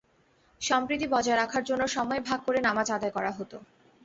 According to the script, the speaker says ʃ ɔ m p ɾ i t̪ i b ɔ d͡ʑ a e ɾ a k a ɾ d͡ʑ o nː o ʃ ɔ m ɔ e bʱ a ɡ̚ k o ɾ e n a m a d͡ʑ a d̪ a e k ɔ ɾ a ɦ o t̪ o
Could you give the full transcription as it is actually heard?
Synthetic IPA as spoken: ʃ ɔ m p ɾ i t̪ i b ɔ d͡ʑ a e ɾ a kʰ a ɾ d͡ʑ o nː o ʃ ɔ m ɔ e bʱ a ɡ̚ k o ɾ e n a m a d͡ʑ a d̪ a e k ɔ ɾ a ɦ o t̪ o